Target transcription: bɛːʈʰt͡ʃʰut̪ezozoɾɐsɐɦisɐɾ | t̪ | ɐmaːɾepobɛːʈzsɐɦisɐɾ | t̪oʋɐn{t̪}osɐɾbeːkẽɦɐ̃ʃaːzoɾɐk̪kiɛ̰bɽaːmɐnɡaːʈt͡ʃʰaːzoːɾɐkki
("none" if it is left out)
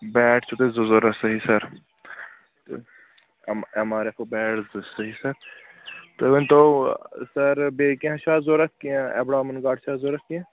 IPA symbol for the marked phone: t̪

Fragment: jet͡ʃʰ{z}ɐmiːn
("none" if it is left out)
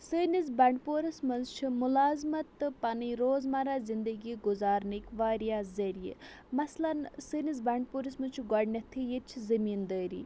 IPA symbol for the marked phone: z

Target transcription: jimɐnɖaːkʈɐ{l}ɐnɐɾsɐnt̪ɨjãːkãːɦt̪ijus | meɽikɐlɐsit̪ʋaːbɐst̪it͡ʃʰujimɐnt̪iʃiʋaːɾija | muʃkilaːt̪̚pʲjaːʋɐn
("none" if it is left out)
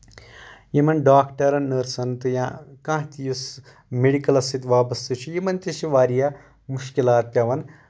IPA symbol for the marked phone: ɾ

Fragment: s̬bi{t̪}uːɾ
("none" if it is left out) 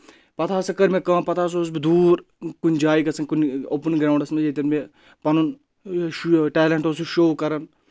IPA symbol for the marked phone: d̪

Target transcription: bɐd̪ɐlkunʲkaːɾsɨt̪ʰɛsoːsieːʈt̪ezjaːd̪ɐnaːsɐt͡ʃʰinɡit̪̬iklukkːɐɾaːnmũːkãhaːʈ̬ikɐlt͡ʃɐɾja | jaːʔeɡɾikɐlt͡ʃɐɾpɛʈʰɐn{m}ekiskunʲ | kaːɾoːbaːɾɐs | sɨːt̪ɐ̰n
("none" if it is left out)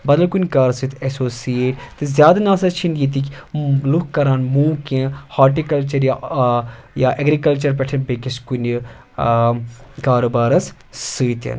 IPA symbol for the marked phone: b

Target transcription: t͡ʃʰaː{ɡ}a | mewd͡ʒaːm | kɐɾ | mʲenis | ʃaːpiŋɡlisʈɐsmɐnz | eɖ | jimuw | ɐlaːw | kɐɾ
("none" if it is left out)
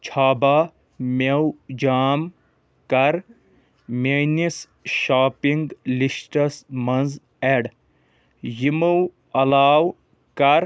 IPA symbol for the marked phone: b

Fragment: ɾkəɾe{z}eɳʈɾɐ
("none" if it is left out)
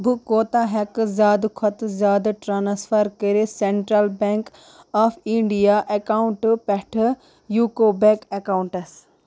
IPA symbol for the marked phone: s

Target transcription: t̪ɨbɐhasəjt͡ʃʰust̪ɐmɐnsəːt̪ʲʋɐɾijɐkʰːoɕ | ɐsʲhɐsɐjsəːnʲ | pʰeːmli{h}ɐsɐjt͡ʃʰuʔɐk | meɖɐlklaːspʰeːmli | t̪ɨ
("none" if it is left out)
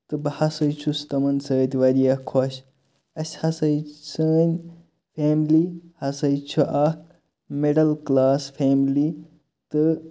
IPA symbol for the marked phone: h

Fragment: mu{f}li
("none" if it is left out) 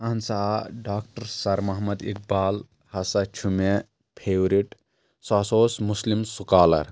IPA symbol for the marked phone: s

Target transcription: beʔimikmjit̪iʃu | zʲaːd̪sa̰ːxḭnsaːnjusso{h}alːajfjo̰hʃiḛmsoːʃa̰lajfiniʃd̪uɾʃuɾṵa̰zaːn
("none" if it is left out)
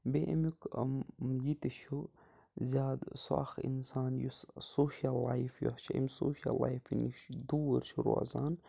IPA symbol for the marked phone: ʃ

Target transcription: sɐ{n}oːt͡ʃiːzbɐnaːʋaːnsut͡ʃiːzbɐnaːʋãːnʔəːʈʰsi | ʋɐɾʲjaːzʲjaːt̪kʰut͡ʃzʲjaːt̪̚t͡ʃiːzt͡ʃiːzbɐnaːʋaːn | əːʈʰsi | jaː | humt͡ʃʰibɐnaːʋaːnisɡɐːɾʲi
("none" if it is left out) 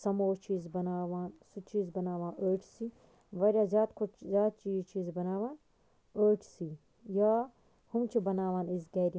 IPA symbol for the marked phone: m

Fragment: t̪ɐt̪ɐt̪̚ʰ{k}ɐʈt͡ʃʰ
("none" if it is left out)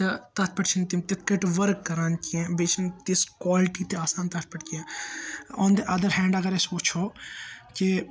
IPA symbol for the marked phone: p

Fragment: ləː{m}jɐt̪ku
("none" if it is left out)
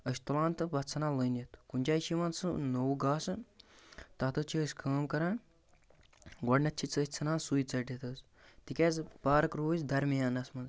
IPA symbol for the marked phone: n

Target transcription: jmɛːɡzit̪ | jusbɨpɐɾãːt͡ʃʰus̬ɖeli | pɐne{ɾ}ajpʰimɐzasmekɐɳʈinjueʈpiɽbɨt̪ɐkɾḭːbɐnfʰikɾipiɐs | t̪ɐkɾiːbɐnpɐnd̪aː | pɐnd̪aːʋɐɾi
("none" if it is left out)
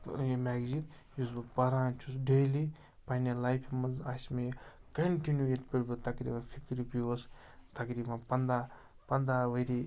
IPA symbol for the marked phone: l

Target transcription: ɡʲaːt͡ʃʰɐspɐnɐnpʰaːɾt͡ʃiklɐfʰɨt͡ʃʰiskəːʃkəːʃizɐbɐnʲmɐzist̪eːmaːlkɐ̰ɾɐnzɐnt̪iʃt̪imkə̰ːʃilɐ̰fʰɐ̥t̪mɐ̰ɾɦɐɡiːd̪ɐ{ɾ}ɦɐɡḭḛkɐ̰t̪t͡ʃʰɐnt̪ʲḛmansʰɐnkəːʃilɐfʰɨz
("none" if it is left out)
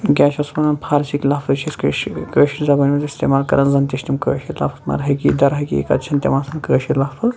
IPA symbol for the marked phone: ɾ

